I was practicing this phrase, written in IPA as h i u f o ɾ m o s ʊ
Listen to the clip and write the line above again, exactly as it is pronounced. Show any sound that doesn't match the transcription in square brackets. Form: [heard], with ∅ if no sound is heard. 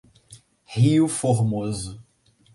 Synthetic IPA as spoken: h i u f o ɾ m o [z] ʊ